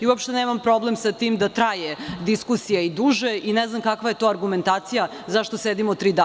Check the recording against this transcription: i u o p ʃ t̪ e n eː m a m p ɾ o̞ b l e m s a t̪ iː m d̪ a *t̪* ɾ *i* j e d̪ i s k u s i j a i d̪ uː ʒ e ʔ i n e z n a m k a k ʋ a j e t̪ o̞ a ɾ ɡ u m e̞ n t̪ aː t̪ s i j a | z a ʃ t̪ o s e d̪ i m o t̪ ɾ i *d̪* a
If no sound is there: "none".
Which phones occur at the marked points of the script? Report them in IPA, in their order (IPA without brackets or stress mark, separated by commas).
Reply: t̪, a, d̪